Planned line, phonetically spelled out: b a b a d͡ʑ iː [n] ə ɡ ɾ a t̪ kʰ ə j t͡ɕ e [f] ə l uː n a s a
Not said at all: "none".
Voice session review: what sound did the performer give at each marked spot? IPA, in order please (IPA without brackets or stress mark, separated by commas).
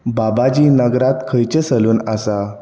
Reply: n, s